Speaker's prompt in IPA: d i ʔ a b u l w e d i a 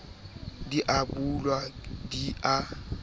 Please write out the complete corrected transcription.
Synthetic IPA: d i ʔ a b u l w a d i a